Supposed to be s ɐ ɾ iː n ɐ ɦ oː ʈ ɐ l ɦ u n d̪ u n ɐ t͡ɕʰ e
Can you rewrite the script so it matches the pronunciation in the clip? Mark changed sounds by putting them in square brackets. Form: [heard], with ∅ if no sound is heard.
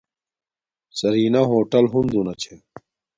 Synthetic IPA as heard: s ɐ ɾ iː n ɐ ɦ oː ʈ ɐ l ɦ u n d̪ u n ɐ t͡ɕʰ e